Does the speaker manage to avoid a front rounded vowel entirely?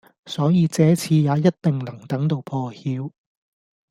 yes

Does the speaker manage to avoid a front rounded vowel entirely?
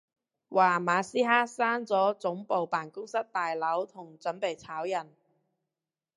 yes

